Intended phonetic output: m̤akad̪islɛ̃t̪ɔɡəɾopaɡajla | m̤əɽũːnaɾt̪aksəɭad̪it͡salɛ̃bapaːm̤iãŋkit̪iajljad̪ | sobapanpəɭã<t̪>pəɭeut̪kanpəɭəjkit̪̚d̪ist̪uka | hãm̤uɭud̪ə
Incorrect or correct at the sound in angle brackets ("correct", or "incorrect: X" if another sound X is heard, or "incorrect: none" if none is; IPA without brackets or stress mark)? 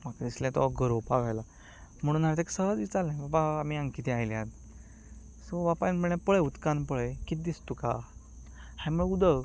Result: incorrect: none